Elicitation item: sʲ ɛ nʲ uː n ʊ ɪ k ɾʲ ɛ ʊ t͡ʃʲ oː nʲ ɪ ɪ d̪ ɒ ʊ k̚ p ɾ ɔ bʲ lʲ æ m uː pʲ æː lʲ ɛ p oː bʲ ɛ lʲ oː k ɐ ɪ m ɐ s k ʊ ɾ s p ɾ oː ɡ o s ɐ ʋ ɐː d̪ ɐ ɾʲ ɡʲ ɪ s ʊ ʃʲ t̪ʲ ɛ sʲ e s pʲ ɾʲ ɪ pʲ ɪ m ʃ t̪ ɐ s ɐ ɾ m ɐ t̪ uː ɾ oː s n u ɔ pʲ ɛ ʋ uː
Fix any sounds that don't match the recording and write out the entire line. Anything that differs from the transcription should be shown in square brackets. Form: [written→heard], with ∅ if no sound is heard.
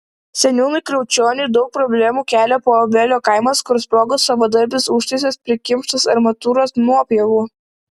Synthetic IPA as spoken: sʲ ɛ nʲ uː n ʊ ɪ k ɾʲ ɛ ʊ t͡ʃʲ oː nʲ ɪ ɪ d̪ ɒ ʊ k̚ p ɾ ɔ bʲ lʲ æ m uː [pʲ→kʲ] æː lʲ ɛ p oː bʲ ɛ lʲ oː k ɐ ɪ m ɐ s k ʊ ɾ s p ɾ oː ɡ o s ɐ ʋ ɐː d̪ ɐ ɾʲ [ɡʲ→bʲ] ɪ s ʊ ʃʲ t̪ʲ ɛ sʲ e s pʲ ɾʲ ɪ [pʲ→kʲ] ɪ m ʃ t̪ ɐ s ɐ ɾ m ɐ t̪ uː ɾ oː s n u ɔ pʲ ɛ ʋ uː